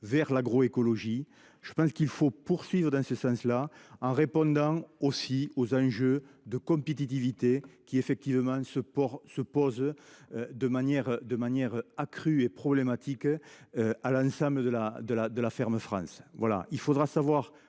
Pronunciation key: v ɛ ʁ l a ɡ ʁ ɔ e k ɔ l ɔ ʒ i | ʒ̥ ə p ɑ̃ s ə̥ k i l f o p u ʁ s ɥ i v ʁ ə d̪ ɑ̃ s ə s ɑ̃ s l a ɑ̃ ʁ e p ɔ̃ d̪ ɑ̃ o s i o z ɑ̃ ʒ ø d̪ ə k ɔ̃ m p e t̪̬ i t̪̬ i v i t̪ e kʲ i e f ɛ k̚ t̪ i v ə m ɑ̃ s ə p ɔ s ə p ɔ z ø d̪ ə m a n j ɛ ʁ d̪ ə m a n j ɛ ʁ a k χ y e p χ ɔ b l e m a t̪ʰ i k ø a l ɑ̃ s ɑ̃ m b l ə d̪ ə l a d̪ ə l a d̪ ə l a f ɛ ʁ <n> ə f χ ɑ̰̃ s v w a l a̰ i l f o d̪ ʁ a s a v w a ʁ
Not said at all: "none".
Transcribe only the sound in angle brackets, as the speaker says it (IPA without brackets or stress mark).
m